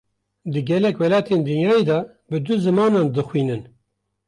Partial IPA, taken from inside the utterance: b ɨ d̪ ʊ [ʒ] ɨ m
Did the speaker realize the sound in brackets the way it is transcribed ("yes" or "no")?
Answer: no